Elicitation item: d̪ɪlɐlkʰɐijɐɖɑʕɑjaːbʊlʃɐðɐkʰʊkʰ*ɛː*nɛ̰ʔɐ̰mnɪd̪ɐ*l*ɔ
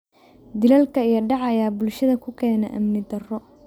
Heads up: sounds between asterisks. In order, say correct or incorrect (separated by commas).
correct, incorrect